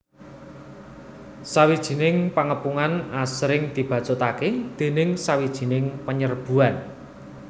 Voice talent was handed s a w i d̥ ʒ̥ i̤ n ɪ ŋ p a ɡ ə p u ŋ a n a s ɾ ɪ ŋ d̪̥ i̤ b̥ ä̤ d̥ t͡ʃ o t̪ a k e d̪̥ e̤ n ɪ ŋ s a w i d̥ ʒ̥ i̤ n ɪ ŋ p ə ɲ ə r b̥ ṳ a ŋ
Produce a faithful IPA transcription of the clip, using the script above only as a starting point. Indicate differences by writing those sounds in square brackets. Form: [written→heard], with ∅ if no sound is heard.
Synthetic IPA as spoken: s a w i d̥ ʒ̥ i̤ n ɪ ŋ p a [ɡ→ŋ] ə p u ŋ a n a s ɾ ɪ ŋ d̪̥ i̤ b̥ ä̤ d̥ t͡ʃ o t̪ a k e d̪̥ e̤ n ɪ ŋ s a w i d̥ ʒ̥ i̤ n ɪ ŋ p ə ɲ ə r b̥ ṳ a [ŋ→n]